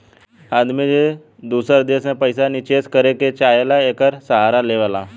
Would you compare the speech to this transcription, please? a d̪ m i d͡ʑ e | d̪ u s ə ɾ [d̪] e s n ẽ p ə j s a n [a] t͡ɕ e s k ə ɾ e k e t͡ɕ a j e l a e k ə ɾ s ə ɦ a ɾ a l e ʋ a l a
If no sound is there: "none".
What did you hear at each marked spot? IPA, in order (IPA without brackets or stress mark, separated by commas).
d̪, i